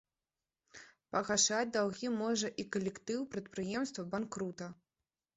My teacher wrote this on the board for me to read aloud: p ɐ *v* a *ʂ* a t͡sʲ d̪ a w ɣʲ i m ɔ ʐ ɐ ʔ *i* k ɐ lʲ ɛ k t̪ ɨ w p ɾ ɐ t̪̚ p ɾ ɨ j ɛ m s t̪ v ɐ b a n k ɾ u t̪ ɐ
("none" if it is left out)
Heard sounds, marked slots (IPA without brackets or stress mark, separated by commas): ɣ, ʂ, i